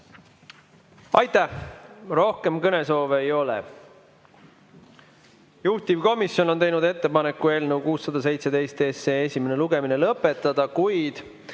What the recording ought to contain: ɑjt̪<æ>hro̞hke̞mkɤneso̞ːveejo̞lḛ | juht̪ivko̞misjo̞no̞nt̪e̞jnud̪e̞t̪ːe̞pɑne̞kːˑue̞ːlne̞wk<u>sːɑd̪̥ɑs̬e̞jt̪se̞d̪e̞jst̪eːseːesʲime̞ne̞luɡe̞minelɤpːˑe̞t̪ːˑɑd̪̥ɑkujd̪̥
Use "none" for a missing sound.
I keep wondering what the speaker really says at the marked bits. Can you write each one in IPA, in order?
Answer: æ, uː

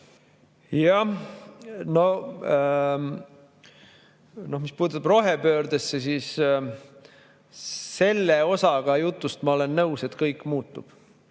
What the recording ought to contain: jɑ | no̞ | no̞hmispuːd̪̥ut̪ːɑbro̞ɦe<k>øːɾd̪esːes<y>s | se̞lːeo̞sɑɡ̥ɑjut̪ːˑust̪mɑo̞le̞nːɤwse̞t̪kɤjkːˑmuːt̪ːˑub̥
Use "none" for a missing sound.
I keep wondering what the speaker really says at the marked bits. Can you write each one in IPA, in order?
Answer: p, i

